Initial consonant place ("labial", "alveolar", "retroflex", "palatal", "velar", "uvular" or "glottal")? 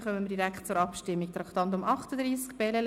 uvular